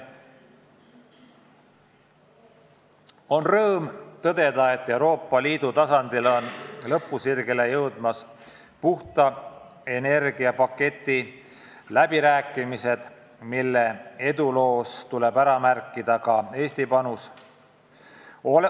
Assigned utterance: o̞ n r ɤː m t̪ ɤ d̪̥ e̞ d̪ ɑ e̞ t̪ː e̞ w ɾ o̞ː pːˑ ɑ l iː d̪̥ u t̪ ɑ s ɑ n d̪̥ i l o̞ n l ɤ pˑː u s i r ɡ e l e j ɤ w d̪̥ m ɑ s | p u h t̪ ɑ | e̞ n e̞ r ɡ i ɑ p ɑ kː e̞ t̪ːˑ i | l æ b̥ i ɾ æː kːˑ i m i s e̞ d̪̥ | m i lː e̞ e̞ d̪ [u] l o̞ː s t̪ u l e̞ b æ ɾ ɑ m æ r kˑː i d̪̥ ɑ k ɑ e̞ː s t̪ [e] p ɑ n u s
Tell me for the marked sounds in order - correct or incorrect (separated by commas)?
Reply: correct, incorrect